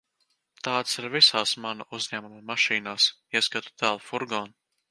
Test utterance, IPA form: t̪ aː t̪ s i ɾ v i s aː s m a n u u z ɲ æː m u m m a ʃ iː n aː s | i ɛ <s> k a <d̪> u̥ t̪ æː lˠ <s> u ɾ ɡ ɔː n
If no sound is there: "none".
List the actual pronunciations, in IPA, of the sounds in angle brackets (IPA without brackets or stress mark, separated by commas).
s, t̪, f